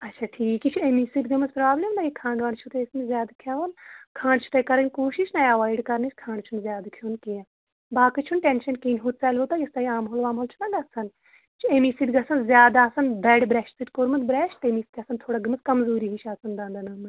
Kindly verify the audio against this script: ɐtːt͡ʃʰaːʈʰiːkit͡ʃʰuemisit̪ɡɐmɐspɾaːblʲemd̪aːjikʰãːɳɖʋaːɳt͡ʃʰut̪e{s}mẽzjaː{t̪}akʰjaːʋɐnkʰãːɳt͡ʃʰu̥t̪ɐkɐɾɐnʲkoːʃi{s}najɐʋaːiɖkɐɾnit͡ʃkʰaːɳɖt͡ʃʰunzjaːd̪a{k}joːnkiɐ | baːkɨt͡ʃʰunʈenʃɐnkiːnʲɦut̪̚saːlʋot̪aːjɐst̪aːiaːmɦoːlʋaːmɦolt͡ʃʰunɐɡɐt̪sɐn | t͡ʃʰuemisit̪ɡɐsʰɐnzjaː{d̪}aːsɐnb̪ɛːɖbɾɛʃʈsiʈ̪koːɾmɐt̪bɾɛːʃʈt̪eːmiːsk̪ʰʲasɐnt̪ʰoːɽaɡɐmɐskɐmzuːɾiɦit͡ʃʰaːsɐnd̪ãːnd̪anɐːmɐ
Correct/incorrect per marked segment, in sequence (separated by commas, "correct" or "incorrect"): correct, incorrect, incorrect, incorrect, correct